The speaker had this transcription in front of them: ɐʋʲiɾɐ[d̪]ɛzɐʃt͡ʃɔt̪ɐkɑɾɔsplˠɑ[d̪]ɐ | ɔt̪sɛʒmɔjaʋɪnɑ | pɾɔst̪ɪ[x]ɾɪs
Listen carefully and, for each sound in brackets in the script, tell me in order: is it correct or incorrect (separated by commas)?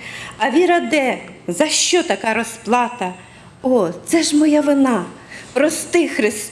correct, incorrect, correct